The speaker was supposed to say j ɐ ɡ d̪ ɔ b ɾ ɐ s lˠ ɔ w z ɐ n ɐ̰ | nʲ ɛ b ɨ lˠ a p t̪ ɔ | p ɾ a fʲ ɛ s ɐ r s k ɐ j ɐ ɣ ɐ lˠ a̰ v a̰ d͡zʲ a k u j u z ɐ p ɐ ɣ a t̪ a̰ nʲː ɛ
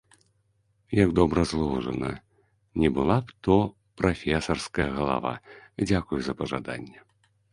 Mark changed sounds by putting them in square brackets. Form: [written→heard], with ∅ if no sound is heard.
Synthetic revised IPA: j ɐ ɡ d̪ ɔ b ɾ ɐ [s→z] lˠ ɔ w [z→ʐ] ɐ n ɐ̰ | nʲ ɛ b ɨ lˠ a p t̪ ɔ | p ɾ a fʲ ɛ s ɐ r s k ɐ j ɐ ɣ ɐ lˠ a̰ v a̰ d͡zʲ a k u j u z ɐ p ɐ [ɣ→ʐ] a [t̪→d̪] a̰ nʲː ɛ